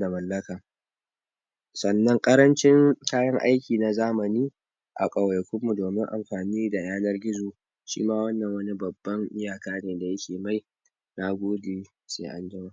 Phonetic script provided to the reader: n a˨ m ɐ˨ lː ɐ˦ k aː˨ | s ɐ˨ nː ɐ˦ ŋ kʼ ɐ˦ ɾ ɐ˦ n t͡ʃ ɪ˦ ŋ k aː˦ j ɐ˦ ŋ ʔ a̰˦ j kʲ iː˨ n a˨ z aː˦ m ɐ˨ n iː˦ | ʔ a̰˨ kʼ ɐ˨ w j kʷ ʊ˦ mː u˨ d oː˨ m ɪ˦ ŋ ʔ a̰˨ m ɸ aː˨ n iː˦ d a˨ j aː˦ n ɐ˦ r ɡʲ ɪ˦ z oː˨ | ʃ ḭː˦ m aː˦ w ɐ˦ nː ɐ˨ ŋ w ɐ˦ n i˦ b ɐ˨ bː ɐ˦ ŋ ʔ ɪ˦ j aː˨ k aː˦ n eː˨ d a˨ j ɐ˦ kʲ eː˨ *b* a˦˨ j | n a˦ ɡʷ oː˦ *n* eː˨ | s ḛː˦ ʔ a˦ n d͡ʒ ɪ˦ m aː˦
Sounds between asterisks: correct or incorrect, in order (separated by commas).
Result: incorrect, incorrect